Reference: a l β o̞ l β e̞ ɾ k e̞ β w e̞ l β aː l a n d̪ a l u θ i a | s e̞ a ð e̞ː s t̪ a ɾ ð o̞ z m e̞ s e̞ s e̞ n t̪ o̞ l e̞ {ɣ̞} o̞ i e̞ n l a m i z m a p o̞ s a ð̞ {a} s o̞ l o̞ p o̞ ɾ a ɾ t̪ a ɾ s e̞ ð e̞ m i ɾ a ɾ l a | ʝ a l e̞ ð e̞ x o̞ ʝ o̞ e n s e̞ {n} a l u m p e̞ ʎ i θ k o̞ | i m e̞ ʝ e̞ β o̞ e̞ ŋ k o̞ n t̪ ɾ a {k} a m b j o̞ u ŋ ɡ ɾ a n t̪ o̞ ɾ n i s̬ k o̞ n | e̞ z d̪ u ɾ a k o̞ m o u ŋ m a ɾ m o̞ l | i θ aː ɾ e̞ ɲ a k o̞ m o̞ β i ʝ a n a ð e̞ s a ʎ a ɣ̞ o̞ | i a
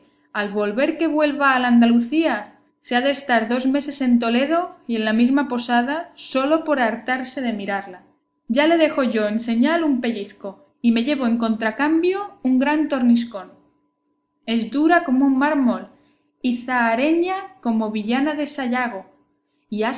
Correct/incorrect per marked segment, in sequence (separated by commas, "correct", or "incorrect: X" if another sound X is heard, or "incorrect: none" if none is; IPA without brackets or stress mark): incorrect: ð̞, correct, incorrect: ɲ, correct